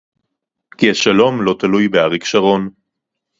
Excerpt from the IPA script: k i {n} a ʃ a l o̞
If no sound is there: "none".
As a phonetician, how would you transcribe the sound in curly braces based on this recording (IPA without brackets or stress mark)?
none